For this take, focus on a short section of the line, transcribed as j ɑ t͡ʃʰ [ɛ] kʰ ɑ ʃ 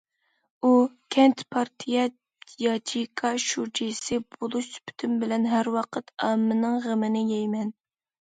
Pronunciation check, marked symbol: incorrect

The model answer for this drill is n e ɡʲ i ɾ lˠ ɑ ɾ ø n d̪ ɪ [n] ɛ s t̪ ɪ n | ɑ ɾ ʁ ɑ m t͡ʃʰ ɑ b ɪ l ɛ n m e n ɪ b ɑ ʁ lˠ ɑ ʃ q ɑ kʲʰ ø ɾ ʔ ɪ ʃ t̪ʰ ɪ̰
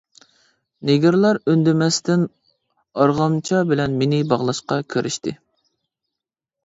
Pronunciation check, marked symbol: incorrect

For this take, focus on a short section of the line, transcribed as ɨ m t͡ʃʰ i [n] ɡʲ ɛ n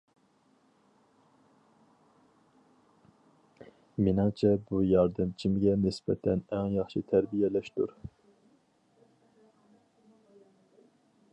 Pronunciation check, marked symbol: incorrect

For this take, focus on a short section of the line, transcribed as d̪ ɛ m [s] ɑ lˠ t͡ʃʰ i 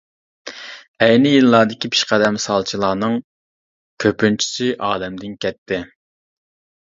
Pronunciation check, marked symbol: correct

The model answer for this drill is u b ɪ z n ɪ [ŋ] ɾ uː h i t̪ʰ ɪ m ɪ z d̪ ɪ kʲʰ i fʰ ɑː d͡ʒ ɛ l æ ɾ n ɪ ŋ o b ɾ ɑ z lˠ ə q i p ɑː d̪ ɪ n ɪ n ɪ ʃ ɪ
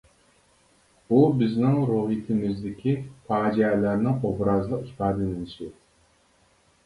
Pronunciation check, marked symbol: correct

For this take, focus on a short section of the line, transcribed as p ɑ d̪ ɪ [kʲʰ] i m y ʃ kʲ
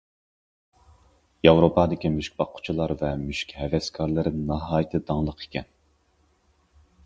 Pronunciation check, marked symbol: incorrect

